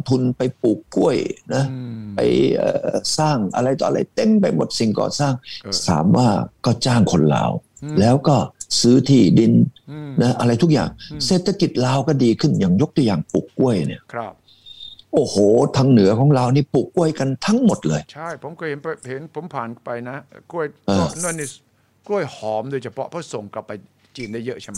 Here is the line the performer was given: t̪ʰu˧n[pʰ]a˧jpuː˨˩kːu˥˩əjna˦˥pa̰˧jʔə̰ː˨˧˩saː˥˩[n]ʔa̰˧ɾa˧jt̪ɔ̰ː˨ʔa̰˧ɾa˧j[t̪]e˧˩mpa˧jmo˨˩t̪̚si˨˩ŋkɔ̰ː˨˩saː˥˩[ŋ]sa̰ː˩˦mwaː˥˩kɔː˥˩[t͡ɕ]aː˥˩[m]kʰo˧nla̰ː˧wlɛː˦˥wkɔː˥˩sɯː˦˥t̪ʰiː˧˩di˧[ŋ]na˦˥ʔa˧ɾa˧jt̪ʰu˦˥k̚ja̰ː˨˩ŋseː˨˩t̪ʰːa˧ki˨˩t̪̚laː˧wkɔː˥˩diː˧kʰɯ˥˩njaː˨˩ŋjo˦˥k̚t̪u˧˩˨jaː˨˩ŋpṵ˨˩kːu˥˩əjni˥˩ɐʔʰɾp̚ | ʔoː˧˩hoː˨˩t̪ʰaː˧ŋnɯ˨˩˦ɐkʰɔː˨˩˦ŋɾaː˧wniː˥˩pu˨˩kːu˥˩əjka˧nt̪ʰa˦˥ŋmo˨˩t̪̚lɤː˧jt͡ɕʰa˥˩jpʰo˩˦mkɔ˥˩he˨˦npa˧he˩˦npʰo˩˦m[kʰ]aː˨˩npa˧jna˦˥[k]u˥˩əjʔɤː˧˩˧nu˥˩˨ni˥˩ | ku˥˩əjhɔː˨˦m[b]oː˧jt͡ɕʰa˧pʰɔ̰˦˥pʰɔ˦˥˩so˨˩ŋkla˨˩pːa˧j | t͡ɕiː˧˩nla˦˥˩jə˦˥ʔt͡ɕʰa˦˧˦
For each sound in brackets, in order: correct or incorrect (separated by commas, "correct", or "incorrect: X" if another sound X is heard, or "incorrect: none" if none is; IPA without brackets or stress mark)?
incorrect: p, incorrect: ŋ, correct, correct, correct, incorrect: ŋ, incorrect: n, incorrect: pʰ, correct, incorrect: d